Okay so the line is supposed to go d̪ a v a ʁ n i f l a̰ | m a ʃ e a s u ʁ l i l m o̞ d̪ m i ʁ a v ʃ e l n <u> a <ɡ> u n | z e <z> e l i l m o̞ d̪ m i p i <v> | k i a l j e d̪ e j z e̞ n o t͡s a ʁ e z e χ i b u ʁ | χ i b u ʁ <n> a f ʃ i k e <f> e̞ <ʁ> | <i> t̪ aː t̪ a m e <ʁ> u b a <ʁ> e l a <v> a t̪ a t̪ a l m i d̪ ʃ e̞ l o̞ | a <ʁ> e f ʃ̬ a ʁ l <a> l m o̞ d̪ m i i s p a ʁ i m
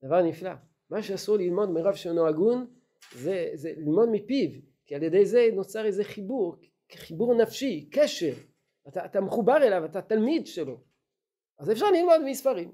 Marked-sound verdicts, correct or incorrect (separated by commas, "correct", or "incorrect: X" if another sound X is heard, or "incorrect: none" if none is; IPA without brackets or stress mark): incorrect: o, correct, correct, correct, correct, incorrect: ʃ, correct, incorrect: a, incorrect: χ, correct, correct, incorrect: z, incorrect: i